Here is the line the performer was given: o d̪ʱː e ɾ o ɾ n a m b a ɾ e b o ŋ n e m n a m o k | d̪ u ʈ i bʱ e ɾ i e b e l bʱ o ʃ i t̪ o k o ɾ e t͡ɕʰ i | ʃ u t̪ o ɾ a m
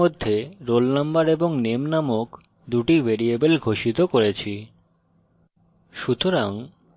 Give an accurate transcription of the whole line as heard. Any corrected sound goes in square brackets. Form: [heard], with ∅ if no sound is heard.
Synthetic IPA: o d̪ʱː e ɾ o [l] n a m b a ɾ e b o ŋ n e m n a m o k | d̪ u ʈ i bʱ e ɾ i e b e l [ɡʱ] o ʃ i t̪ o k o ɾ e t͡ɕʰ i | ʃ u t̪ o ɾ a [ŋ]